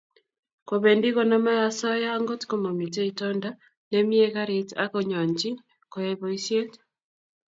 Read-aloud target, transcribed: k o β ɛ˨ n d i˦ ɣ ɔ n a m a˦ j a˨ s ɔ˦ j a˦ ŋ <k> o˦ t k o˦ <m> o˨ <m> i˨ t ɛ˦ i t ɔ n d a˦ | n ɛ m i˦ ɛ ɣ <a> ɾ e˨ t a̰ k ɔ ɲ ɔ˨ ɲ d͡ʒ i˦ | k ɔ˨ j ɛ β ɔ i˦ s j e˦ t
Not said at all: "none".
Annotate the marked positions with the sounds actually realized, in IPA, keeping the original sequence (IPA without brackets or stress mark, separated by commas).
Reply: ɡ, m, m, a